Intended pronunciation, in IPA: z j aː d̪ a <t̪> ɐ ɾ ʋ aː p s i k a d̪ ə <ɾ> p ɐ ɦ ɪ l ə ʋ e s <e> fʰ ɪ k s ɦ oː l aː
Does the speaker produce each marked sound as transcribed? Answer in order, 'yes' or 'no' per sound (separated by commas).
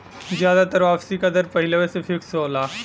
yes, yes, yes